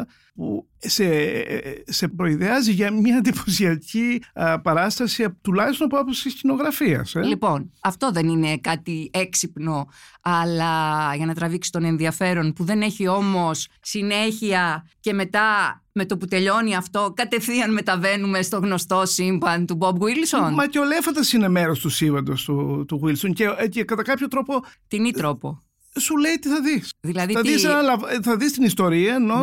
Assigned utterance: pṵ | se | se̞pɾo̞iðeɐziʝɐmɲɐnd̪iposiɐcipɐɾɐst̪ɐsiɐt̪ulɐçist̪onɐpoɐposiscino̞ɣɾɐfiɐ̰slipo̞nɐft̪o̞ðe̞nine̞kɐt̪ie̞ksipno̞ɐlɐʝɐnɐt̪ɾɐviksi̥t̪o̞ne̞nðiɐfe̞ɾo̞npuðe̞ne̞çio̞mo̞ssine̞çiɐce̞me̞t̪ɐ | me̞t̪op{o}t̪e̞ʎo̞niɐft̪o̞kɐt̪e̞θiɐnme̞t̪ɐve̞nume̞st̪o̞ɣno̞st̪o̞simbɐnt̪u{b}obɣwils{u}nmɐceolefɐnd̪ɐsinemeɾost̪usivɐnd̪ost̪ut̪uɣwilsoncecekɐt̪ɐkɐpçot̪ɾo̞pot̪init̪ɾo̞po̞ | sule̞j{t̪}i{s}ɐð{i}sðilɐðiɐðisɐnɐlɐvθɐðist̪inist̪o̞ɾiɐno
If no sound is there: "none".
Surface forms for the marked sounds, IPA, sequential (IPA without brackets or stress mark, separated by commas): u, b, o, t̪, θ, i